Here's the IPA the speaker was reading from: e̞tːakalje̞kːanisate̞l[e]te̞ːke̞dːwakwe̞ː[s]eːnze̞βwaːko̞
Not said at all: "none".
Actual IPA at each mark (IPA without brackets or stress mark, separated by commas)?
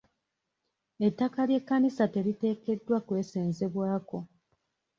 i, s